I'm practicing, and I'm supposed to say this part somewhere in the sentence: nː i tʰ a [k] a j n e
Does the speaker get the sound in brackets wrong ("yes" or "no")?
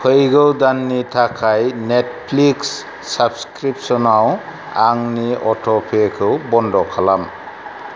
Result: yes